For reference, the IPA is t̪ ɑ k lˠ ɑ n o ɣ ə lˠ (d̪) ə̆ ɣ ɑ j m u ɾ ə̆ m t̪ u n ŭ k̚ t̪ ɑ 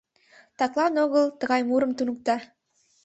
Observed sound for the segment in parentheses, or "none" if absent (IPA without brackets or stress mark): t̪